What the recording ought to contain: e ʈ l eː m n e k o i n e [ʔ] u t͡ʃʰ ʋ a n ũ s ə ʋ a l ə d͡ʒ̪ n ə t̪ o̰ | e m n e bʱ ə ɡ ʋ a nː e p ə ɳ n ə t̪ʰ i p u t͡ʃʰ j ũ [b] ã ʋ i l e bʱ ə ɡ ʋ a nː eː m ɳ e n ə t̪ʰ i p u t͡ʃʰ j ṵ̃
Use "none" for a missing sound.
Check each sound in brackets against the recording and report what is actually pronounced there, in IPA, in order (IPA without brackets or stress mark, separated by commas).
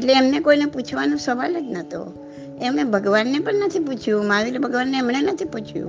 p, m